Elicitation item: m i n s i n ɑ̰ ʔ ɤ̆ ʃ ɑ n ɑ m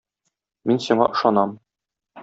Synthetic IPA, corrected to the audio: m i n s i ɴ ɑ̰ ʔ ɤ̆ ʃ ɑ n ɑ m